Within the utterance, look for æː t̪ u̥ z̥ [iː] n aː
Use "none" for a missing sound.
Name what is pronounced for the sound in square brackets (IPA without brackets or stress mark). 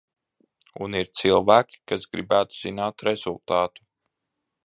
i